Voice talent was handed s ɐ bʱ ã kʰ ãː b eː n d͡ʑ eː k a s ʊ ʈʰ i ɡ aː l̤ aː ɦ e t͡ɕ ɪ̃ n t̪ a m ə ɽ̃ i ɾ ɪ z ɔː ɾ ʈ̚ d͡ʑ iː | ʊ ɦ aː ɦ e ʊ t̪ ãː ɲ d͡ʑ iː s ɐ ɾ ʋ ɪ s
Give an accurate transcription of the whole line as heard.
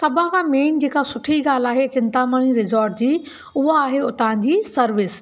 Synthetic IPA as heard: s ɐ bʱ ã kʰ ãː m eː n d͡ʑ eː k a s ʊ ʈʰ i ɡ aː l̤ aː ɦ e t͡ɕ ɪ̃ n t̪ a m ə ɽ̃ i ɾ ɪ z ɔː ɾ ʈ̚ d͡ʑ iː | ʊ ɦ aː ɦ e ʊ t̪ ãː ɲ d͡ʑ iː s ɐ ɾ ʋ ɪ s